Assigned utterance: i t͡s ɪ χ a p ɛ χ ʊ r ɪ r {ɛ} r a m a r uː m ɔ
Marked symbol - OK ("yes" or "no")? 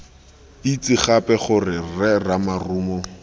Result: yes